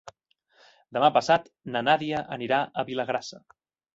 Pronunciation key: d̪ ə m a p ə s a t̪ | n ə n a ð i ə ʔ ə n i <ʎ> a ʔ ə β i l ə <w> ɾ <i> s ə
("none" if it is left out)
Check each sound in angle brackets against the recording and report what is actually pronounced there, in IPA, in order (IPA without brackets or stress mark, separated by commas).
ɾ, ɣ, a